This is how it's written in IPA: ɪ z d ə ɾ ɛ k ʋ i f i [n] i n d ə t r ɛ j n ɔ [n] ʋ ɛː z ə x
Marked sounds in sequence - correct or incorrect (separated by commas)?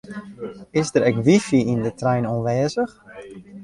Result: incorrect, correct